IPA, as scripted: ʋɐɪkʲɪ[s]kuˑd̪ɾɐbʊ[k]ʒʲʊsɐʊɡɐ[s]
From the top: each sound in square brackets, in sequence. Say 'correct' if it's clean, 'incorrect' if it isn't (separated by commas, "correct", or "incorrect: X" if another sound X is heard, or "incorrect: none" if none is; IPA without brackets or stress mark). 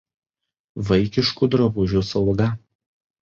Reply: incorrect: ʃ, incorrect: none, incorrect: none